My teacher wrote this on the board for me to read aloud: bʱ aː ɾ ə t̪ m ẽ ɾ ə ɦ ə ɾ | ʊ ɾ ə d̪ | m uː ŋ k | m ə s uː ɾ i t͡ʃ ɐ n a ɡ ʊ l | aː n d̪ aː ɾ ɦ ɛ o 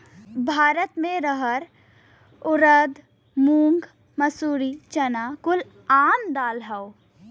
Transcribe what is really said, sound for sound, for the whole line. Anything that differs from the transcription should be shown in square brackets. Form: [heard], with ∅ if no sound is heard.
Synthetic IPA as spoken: bʱ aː ɾ ə t̪ m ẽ ɾ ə ɦ ə ɾ | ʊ ɾ ə d̪ | m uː ŋ [ɡ] | m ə s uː ɾ i t͡ʃ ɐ n a [k] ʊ l | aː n d̪ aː [l] ɦ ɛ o

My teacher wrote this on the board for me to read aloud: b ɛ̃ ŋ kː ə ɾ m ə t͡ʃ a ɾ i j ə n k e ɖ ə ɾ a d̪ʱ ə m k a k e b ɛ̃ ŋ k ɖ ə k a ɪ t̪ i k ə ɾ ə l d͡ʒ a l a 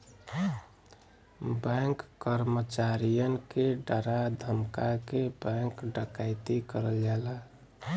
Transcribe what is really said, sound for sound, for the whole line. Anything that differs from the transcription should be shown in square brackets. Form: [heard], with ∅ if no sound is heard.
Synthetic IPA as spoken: b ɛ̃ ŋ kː ə ɾ m ə t͡ʃ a ɾ i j ə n k e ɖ ə ɾ a d̪ʱ ə m k a k e b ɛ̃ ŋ k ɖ ə k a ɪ t̪ i k ə ɾ ə l d͡ʒ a l a

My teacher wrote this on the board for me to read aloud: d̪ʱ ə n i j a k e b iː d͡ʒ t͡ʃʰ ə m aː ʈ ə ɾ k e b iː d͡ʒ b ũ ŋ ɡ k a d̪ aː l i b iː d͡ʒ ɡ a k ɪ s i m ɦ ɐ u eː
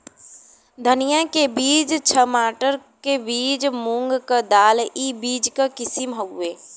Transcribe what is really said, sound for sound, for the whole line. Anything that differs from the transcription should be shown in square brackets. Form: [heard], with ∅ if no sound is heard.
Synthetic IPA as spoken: d̪ʱ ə n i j a k e b iː d͡ʒ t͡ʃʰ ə m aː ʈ ə ɾ k e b iː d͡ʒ [m] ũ ŋ ɡ k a d̪ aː l i b iː d͡ʒ [k] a k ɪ s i m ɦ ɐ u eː

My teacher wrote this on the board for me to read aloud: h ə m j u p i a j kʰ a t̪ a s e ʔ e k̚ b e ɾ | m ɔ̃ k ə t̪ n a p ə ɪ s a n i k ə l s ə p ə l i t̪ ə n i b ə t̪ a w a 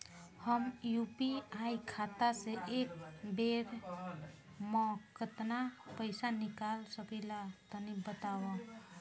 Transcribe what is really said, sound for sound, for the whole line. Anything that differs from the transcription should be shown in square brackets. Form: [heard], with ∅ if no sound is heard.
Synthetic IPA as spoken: h ə m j u p i a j kʰ a t̪ a s e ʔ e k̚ b e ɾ | m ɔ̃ k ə t̪ n a p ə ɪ s a n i k [a] l s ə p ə l [a] t̪ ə n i b ə t̪ a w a

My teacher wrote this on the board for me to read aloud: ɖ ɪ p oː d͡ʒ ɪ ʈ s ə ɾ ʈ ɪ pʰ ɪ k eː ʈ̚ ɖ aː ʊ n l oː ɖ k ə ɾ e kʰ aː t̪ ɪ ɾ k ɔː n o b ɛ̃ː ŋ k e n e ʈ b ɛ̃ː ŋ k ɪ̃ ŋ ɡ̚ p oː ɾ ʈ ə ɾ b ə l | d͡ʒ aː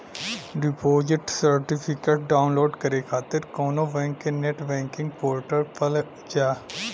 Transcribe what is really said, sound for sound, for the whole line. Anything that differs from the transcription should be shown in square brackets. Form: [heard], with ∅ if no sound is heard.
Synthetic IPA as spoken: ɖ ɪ p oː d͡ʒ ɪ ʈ s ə ɾ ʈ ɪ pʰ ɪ k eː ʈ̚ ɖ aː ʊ n l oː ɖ k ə ɾ e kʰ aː t̪ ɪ ɾ k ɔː n o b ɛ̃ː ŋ k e n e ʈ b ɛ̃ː ŋ k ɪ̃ ŋ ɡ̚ p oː ɾ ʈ ə ɾ [p] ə l | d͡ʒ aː

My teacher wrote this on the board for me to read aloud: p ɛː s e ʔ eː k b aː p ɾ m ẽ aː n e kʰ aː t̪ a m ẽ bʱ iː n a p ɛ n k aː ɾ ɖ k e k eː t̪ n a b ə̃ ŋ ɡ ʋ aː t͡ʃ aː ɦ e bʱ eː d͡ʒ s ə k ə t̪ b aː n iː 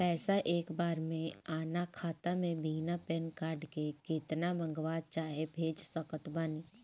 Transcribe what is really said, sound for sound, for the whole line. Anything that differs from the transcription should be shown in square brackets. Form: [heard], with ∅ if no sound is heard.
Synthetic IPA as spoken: p ɛː s [a] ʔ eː k b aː [∅] ɾ m ẽ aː n [a] kʰ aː t̪ a m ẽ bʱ iː n a p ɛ n k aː ɾ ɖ k e k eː t̪ n a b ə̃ ŋ ɡ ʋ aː t͡ʃ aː ɦ e bʱ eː d͡ʒ s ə k ə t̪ b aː n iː

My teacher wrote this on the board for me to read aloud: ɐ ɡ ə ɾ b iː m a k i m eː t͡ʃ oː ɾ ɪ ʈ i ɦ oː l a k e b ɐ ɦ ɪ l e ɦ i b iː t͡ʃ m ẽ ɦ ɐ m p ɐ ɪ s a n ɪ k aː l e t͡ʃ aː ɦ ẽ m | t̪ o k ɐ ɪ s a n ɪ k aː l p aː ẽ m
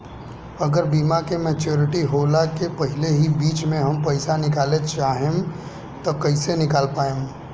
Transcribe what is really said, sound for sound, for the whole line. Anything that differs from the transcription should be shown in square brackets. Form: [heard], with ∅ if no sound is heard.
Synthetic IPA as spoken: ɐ ɡ ə ɾ b iː m a k [e] m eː t͡ʃ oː ɾ ɪ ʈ i ɦ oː l a k e [p] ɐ ɦ ɪ l e ɦ i b iː t͡ʃ m ẽ ɦ ɐ m p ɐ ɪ s a n ɪ k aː l e t͡ʃ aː ɦ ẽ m | t̪ o k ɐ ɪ s [e] n ɪ k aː l p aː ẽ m

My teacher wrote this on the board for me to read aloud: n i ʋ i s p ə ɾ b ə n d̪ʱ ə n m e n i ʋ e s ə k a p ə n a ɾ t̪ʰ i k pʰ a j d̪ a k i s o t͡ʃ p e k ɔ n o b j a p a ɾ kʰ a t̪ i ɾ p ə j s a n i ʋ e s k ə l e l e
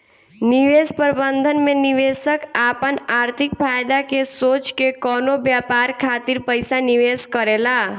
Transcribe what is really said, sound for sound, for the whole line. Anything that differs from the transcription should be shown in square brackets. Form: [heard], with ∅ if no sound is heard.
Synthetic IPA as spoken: n i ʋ [e] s p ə ɾ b ə n d̪ʱ ə n m e n i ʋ e s ə k a p ə n a ɾ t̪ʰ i k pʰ a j d̪ a k [e] s o t͡ʃ [k] e k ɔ n o b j a p a ɾ kʰ a t̪ i ɾ p ə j s a n i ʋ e s k ə [ɾ] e l [a]

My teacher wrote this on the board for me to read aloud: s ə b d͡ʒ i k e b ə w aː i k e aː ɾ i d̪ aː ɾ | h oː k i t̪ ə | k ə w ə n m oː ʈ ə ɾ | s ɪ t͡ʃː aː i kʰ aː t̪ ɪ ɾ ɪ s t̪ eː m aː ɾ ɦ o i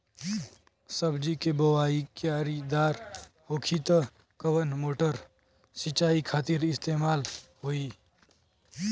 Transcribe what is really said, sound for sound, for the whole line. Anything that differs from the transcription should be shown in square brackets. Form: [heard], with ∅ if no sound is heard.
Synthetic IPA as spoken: s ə b d͡ʒ i k e b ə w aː i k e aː ɾ i d̪ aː ɾ | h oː [kʰ] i t̪ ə | k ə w ə n m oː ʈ ə ɾ | s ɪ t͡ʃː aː i kʰ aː t̪ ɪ ɾ ɪ s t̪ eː m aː [l] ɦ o i

